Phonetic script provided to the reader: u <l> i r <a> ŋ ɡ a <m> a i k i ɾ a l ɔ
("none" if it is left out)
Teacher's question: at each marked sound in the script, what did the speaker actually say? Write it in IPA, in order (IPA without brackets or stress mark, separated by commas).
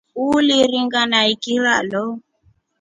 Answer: l, i, n